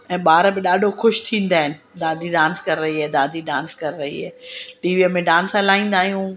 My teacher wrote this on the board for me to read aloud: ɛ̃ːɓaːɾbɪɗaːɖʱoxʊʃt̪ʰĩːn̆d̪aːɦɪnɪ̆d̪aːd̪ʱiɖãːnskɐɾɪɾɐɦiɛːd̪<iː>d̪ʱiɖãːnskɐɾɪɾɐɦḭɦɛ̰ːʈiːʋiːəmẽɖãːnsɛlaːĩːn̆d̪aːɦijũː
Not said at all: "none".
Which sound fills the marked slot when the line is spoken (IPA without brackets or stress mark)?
aː